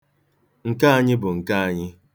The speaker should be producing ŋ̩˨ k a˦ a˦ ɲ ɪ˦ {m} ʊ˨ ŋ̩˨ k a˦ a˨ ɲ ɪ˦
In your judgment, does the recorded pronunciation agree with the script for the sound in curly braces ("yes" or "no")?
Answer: no